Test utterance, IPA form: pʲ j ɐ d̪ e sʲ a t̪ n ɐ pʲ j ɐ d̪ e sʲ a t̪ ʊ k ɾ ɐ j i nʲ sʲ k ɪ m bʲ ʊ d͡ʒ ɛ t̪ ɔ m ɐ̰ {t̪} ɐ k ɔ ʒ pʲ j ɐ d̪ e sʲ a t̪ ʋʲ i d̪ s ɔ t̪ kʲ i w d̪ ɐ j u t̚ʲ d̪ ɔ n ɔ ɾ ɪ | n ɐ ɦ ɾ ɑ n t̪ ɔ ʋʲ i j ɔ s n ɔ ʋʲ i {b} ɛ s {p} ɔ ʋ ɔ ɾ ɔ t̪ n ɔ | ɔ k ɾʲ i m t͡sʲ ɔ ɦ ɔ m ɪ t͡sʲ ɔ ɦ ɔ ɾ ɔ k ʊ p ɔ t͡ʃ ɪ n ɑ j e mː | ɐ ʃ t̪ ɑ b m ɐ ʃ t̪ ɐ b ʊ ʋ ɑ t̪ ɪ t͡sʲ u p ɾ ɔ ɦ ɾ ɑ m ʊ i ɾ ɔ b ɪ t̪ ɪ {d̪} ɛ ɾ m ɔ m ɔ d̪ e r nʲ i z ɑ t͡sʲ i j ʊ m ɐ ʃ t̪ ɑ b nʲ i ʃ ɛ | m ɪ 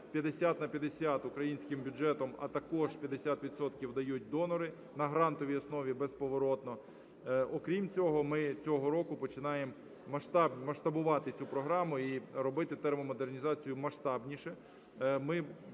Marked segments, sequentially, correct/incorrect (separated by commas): correct, correct, correct, incorrect